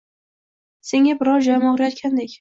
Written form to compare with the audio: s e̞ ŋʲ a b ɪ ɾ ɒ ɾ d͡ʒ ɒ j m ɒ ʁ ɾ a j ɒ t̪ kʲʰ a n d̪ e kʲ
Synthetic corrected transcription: s e̞ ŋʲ a b ɪ ɾ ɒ ɾ d͡ʒ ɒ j m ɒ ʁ ɾ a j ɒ t̪ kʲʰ a n d̪ e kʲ

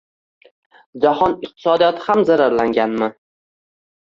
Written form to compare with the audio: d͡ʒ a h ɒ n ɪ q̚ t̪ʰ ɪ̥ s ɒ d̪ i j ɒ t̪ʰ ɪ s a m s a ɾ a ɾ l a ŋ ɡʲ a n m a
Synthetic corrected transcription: d͡ʒ a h ɒ n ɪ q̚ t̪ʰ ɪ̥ s ɒ d̪ i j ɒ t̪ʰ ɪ h a m z a ɾ a ɾ l a ŋ ɡʲ a n m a

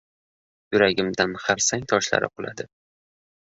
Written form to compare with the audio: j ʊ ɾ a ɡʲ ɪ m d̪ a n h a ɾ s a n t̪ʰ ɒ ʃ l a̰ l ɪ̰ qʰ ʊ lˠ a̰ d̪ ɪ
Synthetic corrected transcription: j ʊ ɾ a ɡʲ ɪ m d̪ a n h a ɾ s a ŋ t̪ʰ ɒ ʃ l a̰ ɾ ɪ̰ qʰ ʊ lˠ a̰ d̪ ɪ

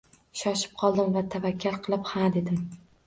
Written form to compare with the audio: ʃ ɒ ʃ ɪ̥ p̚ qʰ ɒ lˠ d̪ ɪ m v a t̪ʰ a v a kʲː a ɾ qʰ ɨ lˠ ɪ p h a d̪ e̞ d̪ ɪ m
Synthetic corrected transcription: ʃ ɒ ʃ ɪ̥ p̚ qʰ ɒ lˠ d̪ ɪ m v a t̪ʰ a v a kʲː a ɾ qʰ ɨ lˠ ɪ p h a d̪ e̞ d̪ ɪ m

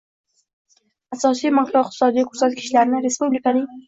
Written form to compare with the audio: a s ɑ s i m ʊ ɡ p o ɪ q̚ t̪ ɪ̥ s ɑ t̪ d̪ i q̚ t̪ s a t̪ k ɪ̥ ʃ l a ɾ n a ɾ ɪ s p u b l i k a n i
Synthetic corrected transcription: a s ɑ s i m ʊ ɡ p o ɪ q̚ t̪ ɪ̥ s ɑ d̪ i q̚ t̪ s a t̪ k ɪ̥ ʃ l a ɾ n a ɾ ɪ s p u b l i k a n i

